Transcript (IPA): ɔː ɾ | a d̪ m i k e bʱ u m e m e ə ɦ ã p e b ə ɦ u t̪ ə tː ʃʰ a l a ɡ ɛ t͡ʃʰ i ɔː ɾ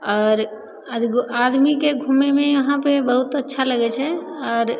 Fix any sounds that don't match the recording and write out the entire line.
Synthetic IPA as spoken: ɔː ɾ | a d̪ m i k e ɡʱ u m e m e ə ɦ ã p e b ə ɦ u t̪ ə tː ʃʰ a l ə ɡ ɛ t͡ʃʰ ɛ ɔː ɾ

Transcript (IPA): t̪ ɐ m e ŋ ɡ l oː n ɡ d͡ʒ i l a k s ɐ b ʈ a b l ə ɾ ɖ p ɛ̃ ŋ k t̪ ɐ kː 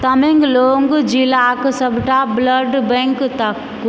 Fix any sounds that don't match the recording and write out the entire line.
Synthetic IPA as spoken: t̪ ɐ m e ŋ ɡ l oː ŋ ɡ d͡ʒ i l a k s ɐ b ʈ a b l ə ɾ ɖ b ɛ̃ ŋ k t̪ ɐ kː

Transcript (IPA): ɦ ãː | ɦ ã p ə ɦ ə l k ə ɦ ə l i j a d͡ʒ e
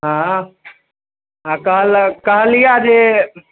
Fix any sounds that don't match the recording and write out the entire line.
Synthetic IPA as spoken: ɦ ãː | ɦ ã k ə ɦ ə l k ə ɦ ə l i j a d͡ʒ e

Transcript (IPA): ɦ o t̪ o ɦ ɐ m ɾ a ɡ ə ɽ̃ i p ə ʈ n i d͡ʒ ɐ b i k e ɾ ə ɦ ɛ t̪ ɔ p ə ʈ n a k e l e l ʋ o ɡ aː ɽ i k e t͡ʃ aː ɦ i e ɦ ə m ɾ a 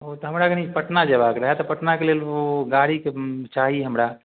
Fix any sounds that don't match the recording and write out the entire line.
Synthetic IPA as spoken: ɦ o t̪ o ɦ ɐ m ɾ a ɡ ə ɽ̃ i p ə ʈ n a d͡ʒ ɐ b a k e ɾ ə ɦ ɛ t̪ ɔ p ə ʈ n a k e l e l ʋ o ɡ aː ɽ i k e t͡ʃ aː ɦ i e ɦ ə m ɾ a

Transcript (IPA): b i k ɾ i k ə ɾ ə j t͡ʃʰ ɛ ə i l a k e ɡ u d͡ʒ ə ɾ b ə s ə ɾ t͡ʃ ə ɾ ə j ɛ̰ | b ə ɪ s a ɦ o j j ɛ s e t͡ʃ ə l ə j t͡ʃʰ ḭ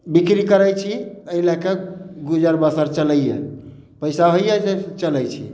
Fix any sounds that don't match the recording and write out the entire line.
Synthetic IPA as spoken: b i k ɾ i k ə ɾ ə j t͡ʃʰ i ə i l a k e ɡ u d͡ʒ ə ɾ b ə s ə ɾ t͡ʃ ə l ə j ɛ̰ | p ə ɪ s a ɦ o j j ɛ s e t͡ʃ ə l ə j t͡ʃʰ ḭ

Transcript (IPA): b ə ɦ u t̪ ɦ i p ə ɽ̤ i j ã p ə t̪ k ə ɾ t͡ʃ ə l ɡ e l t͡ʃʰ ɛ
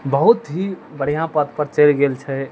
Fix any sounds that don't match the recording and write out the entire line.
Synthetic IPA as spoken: b ə ɦ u t̪ ɦ i b ə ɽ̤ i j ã p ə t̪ p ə ɾ t͡ʃ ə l ɡ e l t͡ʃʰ ɛ

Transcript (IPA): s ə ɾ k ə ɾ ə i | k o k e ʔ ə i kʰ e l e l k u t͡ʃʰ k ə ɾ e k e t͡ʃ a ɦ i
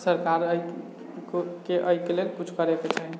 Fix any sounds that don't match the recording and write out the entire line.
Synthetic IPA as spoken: s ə ɾ k a ɾ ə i | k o k e ʔ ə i k e l e l k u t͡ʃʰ k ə ɾ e k e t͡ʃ a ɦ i

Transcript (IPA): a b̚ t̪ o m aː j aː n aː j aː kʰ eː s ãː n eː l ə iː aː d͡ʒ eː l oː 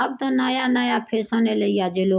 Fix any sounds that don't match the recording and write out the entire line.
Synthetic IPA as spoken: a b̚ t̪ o n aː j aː n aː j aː pʰ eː s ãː n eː l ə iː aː d͡ʒ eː l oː

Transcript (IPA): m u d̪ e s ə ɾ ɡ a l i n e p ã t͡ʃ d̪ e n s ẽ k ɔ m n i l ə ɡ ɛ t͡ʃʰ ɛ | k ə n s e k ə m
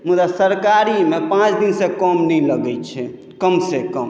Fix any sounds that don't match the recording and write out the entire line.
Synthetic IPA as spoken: m u d̪ a s ə ɾ k a ɾ i m e p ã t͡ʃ d̪ i n s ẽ k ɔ m n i l ə ɡ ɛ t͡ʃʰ ɛ | k ə m s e k ə m

